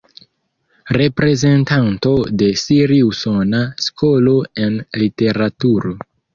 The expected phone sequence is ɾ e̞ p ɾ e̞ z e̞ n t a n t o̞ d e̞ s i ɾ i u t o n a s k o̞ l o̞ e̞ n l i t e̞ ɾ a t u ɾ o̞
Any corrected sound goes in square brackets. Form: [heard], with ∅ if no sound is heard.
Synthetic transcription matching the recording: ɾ e̞ p ɾ e̞ z e̞ n t a n t o̞ d e̞ s i ɾ i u [s] o n a s k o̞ l o̞ e̞ n l i t e̞ ɾ a t u ɾ o̞